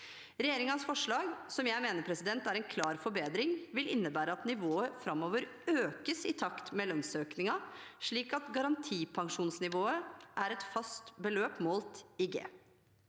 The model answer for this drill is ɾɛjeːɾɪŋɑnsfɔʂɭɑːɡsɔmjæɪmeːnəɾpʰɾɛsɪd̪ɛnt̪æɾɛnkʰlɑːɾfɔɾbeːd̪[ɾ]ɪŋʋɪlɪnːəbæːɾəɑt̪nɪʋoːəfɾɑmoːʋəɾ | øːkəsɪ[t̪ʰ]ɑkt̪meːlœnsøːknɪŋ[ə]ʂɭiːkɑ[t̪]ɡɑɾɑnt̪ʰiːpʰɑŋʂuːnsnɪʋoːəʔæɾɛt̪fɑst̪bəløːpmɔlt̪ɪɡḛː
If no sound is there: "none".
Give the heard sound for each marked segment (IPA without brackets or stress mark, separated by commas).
ɾ, t̪ʰ, ɑ, t̪